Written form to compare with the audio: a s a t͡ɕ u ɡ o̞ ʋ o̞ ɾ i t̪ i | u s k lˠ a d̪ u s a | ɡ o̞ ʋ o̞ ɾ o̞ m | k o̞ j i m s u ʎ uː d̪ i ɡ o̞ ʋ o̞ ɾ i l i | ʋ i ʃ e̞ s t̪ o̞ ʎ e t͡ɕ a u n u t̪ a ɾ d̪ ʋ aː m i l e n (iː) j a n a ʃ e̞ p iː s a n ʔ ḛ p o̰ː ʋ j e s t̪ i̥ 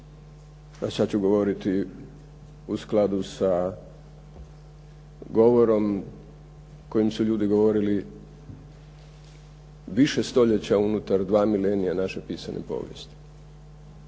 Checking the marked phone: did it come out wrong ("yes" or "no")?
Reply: yes